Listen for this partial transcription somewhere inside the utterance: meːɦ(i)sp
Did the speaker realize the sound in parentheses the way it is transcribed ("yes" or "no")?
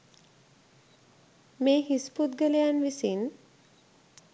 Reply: yes